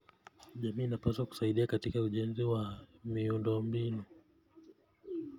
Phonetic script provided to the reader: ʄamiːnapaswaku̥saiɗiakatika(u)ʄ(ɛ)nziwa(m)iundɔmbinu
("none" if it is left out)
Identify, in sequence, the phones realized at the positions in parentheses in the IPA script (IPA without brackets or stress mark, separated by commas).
u, ɛ, m